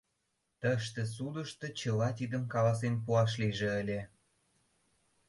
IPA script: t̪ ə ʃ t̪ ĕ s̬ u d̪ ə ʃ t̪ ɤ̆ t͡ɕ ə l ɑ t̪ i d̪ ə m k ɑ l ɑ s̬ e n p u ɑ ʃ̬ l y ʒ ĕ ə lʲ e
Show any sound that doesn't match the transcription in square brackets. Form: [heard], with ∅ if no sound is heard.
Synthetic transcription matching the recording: t̪ ə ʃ t̪ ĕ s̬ u d̪ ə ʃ t̪ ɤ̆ t͡ɕ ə l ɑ t̪ i d̪ ə m k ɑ l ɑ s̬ e n p u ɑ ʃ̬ l [i] ʒ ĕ ə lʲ e